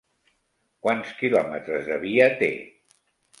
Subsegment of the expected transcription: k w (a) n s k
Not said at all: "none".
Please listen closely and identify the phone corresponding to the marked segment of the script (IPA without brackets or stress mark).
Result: a